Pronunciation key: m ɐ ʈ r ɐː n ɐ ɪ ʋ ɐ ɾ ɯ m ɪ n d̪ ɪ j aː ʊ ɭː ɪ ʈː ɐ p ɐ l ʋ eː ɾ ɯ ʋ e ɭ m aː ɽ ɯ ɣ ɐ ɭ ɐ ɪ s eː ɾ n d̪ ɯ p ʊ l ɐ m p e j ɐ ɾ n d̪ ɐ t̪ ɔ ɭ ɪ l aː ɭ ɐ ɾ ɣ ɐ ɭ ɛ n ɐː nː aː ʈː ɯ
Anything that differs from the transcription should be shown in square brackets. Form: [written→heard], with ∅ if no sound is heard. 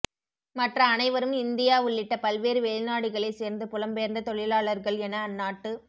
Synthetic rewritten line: m ɐ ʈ r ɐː n ɐ ɪ ʋ ɐ ɾ ɯ m ɪ n d̪ ɪ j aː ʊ ɭː ɪ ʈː ɐ p ɐ l ʋ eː ɾ ɯ ʋ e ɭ [m→n] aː ɽ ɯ ɣ ɐ ɭ ɐ ɪ s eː ɾ n d̪ ɯ p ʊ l ɐ m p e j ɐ ɾ n d̪ ɐ t̪ ɔ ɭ ɪ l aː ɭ ɐ ɾ ɣ ɐ ɭ ɛ n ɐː nː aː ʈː ɯ